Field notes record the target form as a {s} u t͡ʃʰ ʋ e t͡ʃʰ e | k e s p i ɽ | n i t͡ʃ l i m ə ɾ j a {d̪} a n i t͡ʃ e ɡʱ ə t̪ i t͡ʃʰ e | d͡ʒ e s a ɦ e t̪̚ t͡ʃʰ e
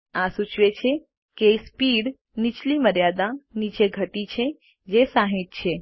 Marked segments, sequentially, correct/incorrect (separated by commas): correct, correct